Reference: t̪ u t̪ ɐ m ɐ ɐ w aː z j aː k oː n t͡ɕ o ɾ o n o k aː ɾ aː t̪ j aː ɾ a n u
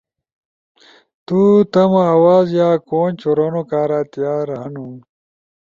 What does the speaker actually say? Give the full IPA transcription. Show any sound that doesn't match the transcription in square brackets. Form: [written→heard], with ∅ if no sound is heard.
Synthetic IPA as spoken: t̪ u t̪ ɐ m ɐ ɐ w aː z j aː k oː n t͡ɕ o ɾ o n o k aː ɾ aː t̪ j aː ɾ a n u